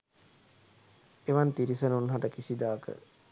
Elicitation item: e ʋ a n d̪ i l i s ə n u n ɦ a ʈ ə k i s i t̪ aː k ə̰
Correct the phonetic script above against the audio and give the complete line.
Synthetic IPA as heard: e ʋ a n t̪ i ɾ i s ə n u n ɦ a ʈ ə k i s i d̪ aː k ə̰

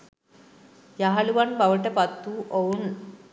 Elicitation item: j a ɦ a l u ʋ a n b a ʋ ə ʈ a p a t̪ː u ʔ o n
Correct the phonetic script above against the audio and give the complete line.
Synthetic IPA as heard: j a ɦ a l u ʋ a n b a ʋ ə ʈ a p a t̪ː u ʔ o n

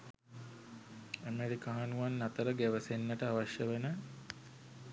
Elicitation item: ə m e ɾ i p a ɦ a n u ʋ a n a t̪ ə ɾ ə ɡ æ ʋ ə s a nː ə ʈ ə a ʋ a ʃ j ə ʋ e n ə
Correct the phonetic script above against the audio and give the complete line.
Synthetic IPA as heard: ə m e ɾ i k a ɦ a n u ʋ a nː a t̪ ə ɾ ə ɡ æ ʋ ə s e nː ə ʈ ə a ʋ a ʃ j ə ʋ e n ə

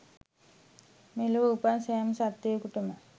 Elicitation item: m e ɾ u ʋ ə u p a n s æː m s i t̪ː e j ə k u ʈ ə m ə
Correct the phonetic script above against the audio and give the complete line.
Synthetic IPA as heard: m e l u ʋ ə u p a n s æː m s a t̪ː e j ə k u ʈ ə m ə

